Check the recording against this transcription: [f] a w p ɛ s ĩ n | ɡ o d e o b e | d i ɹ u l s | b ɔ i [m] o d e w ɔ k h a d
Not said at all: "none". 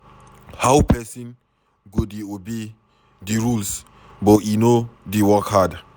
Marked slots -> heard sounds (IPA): h, n

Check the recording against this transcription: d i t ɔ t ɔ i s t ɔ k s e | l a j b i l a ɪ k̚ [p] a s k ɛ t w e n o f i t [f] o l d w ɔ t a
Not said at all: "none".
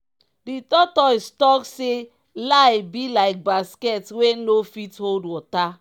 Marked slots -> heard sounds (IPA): b, h

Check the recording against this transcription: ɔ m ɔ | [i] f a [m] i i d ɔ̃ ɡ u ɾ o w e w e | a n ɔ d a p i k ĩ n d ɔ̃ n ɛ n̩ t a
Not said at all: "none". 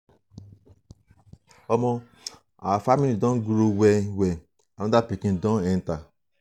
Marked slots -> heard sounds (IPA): a, m

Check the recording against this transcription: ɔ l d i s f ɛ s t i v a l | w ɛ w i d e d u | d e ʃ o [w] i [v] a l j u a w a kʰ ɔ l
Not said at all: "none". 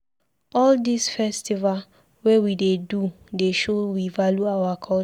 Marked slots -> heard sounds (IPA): w, v

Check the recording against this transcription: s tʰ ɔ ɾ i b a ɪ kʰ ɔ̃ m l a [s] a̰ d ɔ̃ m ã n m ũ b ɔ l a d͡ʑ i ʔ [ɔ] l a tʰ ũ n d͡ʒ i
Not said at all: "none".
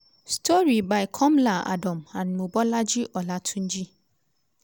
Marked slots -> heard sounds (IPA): none, ɔ

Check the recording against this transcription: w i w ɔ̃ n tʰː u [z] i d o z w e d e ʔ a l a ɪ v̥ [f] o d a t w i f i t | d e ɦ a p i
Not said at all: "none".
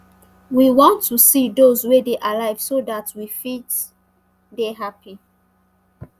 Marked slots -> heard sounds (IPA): s, s

